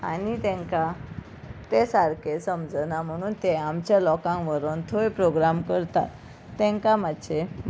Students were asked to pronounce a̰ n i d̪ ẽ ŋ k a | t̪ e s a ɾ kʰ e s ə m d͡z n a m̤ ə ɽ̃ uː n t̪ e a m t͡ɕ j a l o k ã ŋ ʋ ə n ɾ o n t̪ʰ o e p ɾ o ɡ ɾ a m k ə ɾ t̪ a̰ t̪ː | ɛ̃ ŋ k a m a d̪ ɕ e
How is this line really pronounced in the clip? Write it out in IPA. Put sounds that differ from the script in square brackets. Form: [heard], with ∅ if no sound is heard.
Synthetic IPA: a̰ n i [t̪] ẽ ŋ k a | t̪ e s a ɾ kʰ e s ə m d͡z n a m̤ ə ɽ̃ uː n t̪ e a m t͡ɕ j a l [ɔ] k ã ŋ ʋ ə [∅] ɾ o n t̪ʰ o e p ɾ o ɡ ɾ a m k ə ɾ t̪ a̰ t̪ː | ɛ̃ ŋ k a m a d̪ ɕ e